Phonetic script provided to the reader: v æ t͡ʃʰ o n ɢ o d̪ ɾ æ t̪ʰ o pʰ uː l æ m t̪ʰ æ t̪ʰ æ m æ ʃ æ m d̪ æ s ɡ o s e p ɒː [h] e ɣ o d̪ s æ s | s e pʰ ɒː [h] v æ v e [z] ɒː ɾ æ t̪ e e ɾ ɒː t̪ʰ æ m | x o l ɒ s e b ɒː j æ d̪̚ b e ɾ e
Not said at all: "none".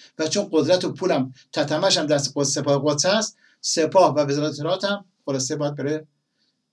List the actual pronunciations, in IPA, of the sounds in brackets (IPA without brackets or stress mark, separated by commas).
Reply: h, h, z